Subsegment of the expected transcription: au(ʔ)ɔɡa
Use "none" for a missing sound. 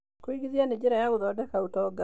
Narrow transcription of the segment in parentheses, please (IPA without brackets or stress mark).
t